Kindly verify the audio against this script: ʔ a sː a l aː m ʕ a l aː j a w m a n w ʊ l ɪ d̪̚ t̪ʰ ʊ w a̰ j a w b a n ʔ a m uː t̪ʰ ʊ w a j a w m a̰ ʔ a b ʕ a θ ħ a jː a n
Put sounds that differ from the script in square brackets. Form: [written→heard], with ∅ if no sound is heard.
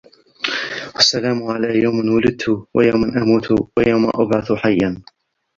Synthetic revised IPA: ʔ a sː a l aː m ʕ a l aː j a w m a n w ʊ l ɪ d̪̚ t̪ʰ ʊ w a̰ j a w [b→m] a n ʔ a m uː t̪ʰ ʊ w a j a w m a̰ ʔ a b ʕ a θ ħ a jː a n

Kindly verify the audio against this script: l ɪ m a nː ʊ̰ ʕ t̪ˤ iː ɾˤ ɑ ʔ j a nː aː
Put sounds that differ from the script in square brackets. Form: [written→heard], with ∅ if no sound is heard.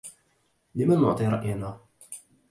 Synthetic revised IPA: l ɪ m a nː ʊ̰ ʕ t̪ˤ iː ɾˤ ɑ ʔ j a [nː→n] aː

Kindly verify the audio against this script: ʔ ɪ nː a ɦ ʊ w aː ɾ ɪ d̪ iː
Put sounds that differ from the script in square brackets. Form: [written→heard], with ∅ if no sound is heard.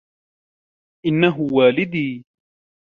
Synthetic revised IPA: ʔ ɪ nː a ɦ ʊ w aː [ɾ→l] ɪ d̪ iː

